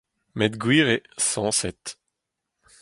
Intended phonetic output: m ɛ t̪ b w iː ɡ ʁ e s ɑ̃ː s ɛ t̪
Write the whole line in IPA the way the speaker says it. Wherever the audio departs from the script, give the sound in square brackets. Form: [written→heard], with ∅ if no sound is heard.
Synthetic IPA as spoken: m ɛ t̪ [b→ɡ] w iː [ɡ→∅] ʁ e s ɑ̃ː s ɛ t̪